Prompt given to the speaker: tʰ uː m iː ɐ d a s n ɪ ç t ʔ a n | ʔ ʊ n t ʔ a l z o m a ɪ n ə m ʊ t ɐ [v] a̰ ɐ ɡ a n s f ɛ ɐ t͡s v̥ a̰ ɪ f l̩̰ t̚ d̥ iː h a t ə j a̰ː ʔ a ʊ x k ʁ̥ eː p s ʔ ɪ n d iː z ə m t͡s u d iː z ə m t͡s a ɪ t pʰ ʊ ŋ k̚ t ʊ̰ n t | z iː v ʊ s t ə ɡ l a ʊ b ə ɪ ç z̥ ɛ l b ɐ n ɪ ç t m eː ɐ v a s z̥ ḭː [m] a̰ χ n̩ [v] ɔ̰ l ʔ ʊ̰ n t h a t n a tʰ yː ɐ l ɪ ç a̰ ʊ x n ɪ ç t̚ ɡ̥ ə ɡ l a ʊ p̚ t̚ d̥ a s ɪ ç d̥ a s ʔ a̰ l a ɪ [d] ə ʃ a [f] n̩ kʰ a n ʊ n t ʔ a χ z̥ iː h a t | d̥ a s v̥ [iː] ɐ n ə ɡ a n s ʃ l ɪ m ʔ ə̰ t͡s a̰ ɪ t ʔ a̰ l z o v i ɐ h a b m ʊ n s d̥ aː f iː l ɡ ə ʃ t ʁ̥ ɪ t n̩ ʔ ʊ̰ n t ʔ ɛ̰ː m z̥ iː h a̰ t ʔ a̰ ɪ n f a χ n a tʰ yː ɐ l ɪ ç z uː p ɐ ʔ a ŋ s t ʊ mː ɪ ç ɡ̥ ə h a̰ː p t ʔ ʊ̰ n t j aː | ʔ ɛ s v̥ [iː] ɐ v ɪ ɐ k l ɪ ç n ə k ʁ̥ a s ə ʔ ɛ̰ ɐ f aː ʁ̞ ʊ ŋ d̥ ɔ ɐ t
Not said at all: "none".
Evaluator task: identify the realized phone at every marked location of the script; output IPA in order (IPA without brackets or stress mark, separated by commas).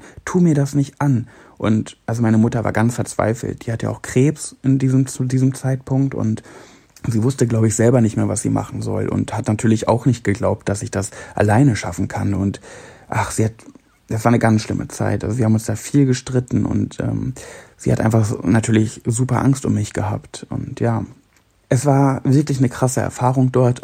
v, m, z, n, f, aː, aː